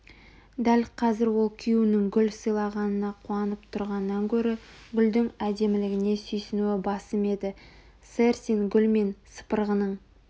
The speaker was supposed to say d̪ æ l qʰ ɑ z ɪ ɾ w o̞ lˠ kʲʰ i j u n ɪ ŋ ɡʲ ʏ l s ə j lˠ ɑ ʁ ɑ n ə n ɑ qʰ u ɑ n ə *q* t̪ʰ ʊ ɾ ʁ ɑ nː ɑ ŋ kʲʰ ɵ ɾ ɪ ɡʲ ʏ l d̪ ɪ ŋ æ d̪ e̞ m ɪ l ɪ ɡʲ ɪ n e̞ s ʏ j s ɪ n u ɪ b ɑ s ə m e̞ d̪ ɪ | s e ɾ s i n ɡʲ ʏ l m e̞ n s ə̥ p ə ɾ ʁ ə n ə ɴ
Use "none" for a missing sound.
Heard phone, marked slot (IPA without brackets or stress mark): p